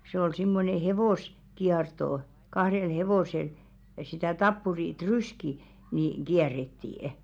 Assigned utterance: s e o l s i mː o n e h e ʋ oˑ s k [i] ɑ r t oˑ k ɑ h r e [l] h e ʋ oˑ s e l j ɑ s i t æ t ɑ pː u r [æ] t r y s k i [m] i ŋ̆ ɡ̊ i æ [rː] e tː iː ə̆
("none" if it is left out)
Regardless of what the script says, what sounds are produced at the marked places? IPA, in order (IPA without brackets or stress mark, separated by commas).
i, l, i, n, rː